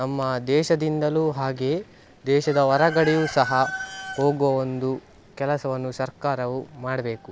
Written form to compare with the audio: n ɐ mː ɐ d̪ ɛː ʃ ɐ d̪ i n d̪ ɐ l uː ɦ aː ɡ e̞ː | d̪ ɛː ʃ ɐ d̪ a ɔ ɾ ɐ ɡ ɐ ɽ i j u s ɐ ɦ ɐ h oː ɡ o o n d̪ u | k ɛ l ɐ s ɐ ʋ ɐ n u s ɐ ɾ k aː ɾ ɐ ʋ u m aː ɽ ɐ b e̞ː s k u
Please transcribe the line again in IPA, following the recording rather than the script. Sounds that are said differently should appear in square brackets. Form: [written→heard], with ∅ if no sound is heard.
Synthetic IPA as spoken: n ɐ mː ɐ d̪ ɛː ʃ ɐ d̪ i n d̪ ɐ l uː ɦ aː ɡ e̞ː | d̪ ɛː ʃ ɐ d̪ [a→ɐ] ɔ ɾ ɐ ɡ ɐ ɽ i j u s ɐ ɦ ɐ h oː ɡ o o n d̪ u | k ɛ l ɐ s ɐ ʋ ɐ [n→nː] u s ɐ ɾ k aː ɾ ɐ ʋ u m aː ɽ ɐ b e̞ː [s→∅] k u